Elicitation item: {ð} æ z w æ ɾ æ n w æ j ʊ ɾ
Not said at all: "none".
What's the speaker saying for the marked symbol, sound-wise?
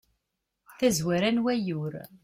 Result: θ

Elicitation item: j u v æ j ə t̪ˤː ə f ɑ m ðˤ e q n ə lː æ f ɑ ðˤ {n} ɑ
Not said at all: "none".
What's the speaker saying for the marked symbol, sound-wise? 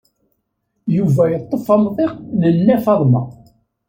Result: m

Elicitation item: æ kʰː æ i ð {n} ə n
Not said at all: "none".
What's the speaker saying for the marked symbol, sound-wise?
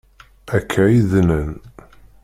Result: n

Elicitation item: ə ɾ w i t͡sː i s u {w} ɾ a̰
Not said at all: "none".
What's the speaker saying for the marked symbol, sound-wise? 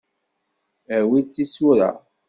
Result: none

